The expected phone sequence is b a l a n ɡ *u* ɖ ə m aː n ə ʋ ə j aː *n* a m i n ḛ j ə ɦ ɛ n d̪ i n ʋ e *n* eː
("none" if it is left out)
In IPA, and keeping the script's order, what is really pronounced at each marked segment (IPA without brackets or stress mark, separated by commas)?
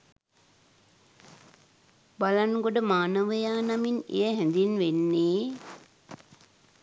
o, n, nː